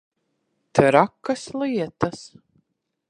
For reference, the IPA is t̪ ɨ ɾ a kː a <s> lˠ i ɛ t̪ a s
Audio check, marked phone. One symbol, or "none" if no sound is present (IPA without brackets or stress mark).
s